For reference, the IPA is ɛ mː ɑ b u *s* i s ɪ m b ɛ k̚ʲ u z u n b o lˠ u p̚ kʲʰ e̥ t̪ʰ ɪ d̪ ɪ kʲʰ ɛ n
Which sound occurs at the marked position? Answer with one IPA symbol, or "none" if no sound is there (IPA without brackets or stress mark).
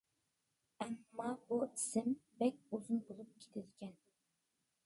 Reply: none